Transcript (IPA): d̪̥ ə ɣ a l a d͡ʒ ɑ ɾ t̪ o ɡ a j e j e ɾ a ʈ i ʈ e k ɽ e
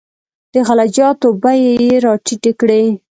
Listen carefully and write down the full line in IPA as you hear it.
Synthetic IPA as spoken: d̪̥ ə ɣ a l a d͡ʒ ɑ t̪ o b a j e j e ɾ ɑ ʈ i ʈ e k ɽ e